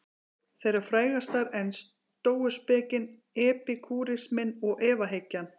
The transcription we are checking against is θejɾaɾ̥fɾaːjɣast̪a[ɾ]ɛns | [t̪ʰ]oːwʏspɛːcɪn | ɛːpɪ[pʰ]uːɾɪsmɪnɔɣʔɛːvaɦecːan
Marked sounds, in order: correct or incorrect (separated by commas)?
correct, incorrect, incorrect